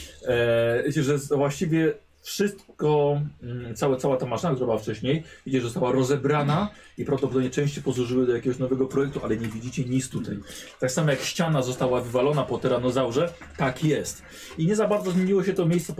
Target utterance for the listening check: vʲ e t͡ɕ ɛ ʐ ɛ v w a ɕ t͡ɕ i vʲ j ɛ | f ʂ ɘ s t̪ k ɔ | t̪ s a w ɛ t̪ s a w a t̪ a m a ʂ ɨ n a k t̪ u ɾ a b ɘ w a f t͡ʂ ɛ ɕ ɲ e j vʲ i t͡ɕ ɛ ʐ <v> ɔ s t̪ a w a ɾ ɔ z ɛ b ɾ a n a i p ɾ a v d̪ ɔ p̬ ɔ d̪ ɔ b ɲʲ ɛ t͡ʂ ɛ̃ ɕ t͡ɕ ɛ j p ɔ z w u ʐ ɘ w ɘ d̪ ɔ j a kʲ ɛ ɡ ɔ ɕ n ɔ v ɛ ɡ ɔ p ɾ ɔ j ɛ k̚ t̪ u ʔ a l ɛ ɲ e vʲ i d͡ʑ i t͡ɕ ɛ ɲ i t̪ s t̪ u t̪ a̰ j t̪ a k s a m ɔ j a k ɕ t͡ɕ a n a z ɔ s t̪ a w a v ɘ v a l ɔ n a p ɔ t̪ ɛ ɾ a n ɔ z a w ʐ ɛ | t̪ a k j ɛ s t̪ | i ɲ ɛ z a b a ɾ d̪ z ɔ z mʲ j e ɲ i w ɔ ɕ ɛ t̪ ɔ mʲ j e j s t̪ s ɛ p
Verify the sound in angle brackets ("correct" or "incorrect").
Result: incorrect